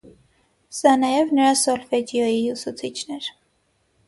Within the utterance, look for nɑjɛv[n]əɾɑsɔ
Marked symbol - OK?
yes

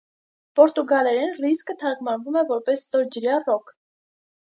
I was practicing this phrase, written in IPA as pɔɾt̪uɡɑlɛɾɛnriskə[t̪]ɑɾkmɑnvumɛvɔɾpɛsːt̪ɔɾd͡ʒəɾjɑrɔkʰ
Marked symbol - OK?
no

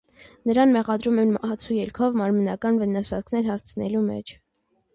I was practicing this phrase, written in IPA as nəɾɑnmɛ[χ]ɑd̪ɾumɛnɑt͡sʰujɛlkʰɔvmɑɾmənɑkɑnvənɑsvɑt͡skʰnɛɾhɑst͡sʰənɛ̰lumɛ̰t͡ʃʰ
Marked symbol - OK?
no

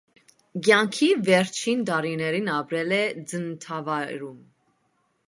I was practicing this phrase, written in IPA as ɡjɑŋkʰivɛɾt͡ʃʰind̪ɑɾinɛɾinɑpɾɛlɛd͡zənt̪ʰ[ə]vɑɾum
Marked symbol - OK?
no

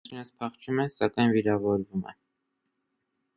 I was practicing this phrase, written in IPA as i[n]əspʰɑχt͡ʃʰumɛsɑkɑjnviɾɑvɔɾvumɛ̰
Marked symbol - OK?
yes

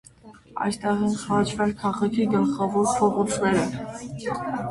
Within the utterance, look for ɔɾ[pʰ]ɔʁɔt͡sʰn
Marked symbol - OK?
yes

